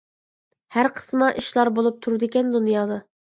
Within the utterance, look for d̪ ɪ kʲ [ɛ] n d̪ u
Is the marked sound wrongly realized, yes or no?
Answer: no